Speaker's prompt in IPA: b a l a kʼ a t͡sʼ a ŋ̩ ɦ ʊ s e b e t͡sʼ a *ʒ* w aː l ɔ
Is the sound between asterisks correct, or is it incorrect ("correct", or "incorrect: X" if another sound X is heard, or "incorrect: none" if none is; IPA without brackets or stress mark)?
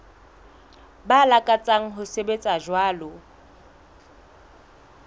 correct